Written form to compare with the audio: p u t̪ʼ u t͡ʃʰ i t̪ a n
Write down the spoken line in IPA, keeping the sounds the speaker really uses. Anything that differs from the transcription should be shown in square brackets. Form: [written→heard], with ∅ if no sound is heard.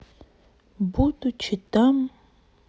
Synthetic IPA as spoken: [p→b] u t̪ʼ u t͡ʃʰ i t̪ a [n→m]